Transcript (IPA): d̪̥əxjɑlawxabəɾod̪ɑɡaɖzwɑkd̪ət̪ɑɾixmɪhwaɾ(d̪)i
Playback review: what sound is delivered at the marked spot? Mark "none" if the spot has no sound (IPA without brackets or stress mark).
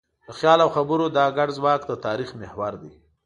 d̪